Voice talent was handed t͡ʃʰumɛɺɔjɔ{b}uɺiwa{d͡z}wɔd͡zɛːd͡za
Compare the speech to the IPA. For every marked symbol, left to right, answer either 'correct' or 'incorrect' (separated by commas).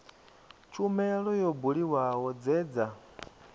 correct, incorrect